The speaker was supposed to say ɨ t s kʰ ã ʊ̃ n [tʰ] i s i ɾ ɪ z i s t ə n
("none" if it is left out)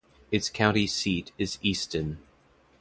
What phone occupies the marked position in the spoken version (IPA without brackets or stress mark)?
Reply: t